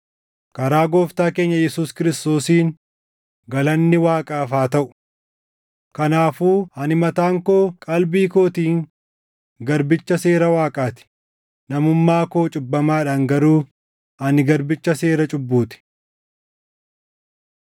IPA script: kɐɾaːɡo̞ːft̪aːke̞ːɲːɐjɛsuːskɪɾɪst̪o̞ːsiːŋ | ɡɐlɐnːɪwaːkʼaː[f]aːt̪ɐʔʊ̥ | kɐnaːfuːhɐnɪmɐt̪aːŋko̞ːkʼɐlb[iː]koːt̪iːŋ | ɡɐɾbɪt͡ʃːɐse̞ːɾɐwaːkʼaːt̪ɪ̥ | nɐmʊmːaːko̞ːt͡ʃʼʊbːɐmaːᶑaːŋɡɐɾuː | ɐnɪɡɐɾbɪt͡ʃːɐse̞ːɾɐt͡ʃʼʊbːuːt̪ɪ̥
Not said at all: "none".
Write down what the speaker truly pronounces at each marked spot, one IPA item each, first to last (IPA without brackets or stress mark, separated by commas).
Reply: f, iː